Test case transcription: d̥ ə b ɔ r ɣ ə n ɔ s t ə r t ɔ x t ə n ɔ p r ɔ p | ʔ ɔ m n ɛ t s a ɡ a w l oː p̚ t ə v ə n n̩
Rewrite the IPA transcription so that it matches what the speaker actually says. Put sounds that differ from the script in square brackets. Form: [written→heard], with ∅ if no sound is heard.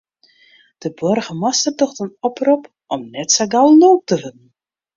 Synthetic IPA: d̥ ə b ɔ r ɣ ə [n→m] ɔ s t ə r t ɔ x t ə n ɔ p r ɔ p | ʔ ɔ m n ɛ t s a ɡ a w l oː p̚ t ə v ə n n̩